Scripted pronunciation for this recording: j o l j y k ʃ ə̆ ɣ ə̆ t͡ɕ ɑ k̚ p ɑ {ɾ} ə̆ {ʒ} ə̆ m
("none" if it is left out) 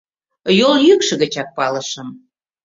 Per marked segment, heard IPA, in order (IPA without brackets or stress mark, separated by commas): l, ʃ